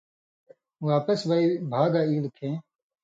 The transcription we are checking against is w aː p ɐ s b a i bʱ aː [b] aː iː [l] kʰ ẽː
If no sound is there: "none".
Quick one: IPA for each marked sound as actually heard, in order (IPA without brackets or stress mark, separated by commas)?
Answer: ɡ, l